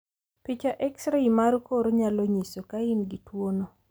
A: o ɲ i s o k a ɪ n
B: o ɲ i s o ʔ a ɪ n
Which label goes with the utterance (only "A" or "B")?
A